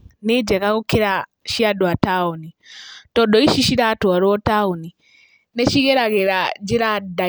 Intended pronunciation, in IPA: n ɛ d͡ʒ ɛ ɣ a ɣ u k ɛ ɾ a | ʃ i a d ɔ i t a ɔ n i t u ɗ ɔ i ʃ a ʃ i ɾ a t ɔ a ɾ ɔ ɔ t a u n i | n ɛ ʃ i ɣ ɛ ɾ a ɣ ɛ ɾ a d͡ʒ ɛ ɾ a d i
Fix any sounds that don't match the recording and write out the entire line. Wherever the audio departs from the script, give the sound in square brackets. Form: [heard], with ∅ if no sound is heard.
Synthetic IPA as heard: n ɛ d͡ʒ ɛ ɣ a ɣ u k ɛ ɾ a | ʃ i a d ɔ [a] t a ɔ n i t [ɔ] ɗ ɔ i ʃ [i] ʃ i ɾ a t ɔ a ɾ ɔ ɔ t a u n i | n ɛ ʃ i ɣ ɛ ɾ a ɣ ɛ ɾ a d͡ʒ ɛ ɾ a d [a]